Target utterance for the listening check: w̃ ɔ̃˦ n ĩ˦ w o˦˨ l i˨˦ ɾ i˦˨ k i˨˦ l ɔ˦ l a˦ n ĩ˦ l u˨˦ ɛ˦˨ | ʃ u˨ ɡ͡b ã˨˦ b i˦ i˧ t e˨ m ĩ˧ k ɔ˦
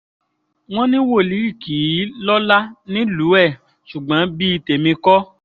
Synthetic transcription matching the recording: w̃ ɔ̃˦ n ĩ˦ w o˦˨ l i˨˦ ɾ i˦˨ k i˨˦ l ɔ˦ l a˦ n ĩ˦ l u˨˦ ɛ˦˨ | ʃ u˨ ɡ͡b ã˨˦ b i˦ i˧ t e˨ m ĩ˧ k ɔ˦